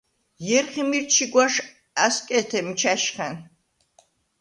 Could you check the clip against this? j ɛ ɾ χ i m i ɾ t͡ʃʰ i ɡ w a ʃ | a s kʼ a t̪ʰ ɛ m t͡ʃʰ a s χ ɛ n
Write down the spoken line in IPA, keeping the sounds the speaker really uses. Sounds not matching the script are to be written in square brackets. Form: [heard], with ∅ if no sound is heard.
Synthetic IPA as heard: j ɛ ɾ χ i m i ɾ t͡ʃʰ i ɡ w a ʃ | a s kʼ [ɛ] t̪ʰ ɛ m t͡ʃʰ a [ʃ] χ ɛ n